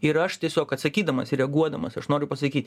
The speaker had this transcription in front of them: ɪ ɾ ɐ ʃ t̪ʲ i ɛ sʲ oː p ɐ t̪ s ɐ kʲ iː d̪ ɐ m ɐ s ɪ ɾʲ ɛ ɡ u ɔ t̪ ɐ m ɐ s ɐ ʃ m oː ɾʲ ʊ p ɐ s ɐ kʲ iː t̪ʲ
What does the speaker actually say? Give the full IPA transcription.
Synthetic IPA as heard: ɪ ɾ ɐ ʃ t̪ʲ i ɛ sʲ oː k ɐ t̪ s ɐ kʲ iː d̪ ɐ m ɐ s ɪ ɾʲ ɛ ɡ u ɔ d̪ ɐ m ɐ s ɐ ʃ n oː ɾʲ ʊ p ɐ s ɐ kʲ iː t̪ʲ